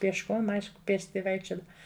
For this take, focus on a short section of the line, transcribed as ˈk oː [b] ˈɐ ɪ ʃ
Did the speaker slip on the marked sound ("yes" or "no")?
yes